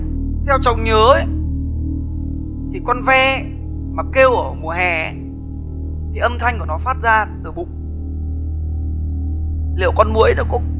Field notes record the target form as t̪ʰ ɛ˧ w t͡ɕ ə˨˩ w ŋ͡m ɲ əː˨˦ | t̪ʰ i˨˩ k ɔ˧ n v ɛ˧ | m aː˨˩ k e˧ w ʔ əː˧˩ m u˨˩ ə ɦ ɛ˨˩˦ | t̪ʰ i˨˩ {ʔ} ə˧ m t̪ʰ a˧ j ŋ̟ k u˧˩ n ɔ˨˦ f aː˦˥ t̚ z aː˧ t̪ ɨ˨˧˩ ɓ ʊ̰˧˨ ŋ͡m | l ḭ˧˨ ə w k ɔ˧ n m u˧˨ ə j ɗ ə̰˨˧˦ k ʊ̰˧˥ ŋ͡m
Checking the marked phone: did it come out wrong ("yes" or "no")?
no